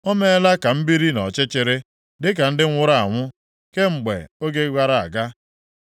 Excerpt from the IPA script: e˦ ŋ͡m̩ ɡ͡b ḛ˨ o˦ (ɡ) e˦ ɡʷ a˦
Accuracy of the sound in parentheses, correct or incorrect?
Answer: correct